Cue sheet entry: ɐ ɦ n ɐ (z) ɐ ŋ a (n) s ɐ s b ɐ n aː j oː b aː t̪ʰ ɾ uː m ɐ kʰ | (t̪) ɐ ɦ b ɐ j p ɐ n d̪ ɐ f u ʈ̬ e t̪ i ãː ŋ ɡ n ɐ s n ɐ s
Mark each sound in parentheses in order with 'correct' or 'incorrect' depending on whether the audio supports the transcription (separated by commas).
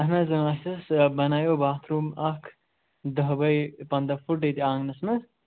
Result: correct, incorrect, incorrect